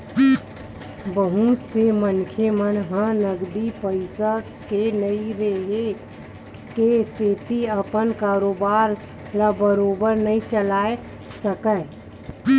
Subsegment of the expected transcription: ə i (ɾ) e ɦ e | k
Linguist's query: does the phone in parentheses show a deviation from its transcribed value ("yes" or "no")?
no